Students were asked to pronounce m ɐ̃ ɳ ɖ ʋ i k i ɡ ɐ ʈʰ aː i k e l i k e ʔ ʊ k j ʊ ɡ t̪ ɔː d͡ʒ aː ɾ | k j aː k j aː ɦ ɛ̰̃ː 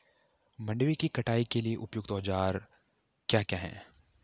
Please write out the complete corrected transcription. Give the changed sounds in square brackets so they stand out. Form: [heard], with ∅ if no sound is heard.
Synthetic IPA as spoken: m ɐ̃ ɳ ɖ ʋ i k i [k] ɐ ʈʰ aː i k e l i [∅] e ʔ ʊ [p] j ʊ ɡ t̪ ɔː d͡ʒ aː ɾ | k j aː k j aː ɦ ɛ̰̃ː